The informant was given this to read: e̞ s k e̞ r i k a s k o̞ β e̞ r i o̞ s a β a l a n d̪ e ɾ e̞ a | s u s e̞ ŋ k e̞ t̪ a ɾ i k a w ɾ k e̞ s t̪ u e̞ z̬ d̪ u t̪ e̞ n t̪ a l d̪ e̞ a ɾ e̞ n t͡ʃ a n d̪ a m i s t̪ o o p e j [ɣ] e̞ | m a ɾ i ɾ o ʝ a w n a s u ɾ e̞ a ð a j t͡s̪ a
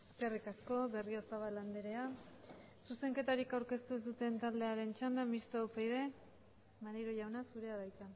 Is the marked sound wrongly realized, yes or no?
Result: yes